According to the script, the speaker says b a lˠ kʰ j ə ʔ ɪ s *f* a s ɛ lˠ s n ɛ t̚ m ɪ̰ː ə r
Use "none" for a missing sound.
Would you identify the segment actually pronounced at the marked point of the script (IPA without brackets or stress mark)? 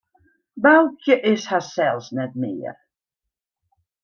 h